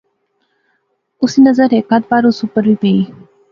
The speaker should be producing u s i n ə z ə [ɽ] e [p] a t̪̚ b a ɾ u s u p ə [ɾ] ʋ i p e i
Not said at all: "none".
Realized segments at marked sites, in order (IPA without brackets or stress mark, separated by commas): ɾ, k, ɾ